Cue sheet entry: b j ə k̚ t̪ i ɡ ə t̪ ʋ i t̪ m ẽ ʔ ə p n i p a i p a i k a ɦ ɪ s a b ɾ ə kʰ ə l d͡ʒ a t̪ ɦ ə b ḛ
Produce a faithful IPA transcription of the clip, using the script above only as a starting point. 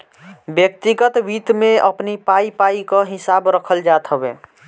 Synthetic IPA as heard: b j ə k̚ t̪ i ɡ ə t̪ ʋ i t̪ m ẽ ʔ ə p n i p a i p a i k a ɦ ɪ s a b ɾ ə kʰ ə l d͡ʒ a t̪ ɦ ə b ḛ